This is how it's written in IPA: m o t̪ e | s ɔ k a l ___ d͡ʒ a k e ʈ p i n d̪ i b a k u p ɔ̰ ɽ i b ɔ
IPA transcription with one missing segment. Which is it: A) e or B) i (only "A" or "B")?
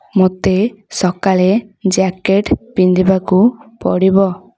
A